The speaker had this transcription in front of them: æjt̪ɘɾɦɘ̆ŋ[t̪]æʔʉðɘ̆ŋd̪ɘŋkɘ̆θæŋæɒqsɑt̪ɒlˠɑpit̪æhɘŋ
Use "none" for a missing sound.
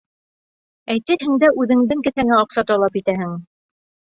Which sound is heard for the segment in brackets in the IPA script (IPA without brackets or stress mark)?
d̪